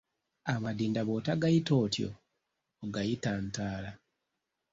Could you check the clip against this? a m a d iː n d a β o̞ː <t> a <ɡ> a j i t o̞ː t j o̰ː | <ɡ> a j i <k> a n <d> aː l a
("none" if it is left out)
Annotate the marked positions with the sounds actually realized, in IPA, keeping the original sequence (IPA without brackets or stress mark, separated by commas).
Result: t, ɡ, ɡ, t, t